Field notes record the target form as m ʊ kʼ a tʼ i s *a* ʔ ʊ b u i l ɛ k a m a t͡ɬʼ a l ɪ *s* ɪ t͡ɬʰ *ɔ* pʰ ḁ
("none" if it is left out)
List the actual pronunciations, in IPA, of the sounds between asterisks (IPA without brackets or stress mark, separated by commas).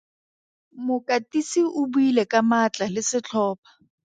i, s, ɔː